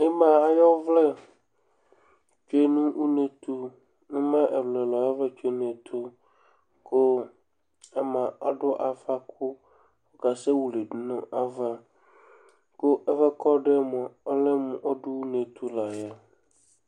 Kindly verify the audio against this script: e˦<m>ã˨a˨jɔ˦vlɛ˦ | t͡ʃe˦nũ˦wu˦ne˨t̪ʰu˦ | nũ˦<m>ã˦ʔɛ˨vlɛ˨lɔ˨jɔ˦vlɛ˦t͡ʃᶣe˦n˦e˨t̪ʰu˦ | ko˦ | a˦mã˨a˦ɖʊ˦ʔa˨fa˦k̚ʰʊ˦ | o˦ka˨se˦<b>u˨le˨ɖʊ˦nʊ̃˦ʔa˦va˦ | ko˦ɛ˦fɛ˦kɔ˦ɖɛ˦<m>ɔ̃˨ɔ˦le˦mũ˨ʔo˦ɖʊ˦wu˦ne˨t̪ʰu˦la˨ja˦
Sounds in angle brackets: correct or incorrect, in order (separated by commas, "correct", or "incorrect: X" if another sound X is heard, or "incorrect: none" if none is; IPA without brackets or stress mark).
correct, correct, incorrect: w, correct